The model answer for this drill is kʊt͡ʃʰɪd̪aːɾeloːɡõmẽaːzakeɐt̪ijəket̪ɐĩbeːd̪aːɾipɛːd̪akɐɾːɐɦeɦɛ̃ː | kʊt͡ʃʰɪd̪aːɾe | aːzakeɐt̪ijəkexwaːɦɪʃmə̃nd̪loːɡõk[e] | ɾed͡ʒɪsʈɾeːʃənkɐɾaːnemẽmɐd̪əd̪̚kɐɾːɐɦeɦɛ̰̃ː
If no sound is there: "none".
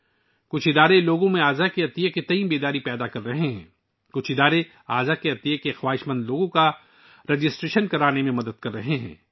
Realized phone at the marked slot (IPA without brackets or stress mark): a